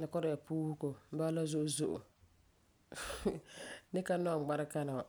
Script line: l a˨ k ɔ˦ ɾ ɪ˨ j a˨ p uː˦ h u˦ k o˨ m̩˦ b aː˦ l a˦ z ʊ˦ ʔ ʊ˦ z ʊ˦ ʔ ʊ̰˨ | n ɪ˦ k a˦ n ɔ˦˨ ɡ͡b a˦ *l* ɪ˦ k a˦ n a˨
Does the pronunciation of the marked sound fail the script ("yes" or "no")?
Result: yes